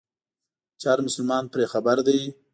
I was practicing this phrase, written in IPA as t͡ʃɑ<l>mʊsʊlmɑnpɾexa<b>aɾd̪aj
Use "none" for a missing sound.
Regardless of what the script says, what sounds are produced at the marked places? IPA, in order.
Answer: ɾ, b

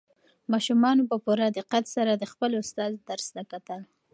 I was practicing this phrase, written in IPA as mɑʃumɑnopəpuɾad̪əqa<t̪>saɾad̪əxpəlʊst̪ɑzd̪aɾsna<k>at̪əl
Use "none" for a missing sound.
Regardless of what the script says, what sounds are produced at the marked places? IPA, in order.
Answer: t̪, k

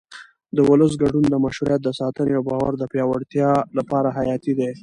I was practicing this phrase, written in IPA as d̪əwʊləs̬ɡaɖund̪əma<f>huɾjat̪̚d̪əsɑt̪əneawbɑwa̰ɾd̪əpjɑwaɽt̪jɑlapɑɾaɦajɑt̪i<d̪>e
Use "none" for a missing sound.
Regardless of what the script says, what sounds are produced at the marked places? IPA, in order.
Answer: ʃ, d̪

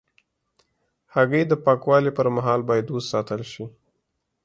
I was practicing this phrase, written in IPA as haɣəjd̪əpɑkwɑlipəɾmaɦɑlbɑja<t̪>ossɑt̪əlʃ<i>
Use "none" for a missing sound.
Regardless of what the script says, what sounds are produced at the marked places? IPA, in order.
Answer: d̪, i

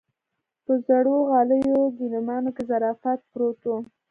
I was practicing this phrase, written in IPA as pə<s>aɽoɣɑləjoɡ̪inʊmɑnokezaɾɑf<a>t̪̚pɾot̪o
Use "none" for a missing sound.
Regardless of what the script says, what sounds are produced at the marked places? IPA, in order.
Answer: z, a

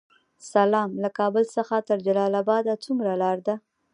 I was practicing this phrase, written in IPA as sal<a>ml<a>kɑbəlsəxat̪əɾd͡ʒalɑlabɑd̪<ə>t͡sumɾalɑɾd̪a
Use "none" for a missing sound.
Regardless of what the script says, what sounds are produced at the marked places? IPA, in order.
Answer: ɑ, a, a

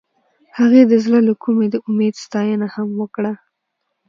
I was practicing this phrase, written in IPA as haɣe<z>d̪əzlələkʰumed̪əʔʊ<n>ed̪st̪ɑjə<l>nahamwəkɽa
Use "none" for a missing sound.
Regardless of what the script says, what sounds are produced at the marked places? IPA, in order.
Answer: none, m, none

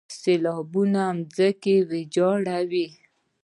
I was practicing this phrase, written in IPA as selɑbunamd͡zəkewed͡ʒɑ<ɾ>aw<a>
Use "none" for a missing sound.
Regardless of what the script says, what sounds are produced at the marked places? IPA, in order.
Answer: ɽ, i

